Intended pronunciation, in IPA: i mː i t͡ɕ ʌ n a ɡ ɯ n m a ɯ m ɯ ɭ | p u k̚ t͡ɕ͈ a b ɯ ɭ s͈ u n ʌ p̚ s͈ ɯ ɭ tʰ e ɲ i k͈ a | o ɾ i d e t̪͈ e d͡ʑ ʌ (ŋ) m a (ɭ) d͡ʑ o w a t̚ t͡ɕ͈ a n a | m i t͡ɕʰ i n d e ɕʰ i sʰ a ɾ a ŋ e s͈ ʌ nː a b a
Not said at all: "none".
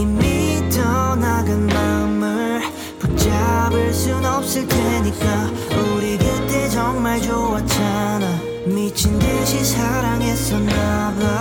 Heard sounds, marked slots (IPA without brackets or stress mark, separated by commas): ŋ, ɭ